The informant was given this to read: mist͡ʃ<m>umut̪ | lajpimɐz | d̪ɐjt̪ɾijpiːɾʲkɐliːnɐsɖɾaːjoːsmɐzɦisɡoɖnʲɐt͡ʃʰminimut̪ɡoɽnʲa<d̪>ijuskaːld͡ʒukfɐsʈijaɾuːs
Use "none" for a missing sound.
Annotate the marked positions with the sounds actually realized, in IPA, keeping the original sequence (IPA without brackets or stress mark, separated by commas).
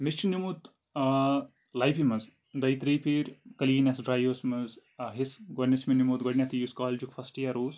n, t̪